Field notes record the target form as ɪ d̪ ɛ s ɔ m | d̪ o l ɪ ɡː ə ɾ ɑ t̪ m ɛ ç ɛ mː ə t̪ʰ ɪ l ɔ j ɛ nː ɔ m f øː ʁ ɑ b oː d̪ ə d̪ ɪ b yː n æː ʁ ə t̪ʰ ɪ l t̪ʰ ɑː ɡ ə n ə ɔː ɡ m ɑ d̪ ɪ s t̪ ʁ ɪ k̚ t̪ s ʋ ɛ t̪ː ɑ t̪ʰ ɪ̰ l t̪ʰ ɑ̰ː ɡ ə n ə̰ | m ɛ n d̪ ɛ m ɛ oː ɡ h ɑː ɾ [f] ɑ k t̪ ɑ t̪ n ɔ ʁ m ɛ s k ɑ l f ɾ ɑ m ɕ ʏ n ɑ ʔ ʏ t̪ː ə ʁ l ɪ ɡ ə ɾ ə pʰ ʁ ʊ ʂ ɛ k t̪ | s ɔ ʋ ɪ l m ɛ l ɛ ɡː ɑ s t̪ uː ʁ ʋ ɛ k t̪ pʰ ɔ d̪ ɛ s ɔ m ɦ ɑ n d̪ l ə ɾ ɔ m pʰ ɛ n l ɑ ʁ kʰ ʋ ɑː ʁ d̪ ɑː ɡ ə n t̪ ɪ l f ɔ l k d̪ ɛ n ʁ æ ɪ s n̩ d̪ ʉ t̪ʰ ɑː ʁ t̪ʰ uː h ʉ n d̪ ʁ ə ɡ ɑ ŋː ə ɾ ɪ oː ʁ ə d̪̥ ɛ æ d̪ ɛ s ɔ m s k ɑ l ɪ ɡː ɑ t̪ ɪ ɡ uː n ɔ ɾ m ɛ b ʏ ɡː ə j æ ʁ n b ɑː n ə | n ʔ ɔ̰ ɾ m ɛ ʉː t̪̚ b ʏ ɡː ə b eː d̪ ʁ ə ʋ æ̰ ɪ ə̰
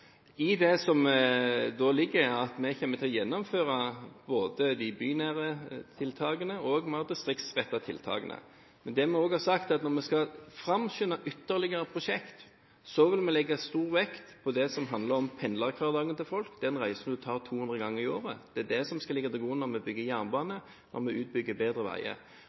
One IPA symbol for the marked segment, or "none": s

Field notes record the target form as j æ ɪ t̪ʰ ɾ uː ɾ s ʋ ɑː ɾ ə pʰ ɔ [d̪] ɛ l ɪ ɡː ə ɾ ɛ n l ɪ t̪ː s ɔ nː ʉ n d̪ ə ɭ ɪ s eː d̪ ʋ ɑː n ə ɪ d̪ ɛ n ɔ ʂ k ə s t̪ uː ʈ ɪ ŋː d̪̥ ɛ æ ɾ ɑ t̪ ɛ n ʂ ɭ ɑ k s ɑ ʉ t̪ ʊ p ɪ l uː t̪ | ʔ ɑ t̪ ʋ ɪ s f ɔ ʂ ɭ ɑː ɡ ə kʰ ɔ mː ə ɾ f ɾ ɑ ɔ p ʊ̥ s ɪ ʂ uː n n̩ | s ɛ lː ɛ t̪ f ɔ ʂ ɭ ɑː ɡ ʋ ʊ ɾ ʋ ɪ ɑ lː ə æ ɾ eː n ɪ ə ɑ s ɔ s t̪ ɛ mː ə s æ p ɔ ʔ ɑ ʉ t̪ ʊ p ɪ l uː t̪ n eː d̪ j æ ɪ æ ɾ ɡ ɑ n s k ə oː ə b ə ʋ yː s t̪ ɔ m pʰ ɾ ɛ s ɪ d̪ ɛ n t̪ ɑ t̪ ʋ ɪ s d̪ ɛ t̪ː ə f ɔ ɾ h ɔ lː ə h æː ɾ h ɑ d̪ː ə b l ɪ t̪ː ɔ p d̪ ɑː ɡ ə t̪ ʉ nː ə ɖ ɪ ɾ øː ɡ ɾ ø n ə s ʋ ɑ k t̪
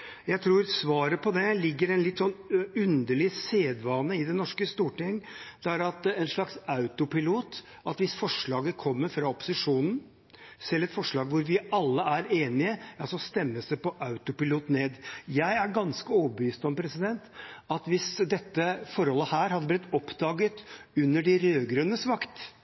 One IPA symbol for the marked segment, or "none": d̪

